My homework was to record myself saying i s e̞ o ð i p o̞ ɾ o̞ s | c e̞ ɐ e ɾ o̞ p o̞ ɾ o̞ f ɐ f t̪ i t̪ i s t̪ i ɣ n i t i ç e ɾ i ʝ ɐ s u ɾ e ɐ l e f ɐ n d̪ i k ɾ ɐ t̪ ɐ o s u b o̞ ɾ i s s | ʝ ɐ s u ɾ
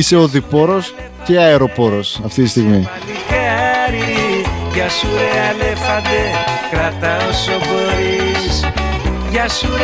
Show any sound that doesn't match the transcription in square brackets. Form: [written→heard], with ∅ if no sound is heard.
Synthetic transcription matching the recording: i s e̞ o ð i p o̞ ɾ o̞ s | c e̞ ɐ e ɾ o̞ p o̞ ɾ o̞ [f→s] ɐ f t̪ i t̪ i s t̪ i ɣ [n→m] i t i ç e ɾ i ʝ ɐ s u ɾ e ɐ l e f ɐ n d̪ [i→e] k ɾ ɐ t̪ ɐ o s [u→o] b o̞ ɾ i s s | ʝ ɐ s u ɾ